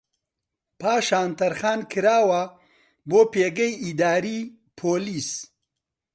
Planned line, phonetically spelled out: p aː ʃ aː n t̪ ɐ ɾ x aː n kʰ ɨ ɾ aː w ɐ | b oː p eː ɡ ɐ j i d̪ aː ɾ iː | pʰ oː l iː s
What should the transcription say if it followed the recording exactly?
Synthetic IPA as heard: p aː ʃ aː n t̪ ɐ ɾ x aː n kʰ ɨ ɾ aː w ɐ | b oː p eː ɡ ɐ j i d̪ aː ɾ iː | pʰ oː l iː s